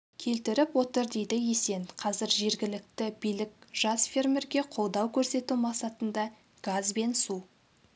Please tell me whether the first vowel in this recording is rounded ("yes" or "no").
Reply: no